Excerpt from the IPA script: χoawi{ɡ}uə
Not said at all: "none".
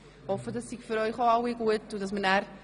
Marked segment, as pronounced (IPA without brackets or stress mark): ɡ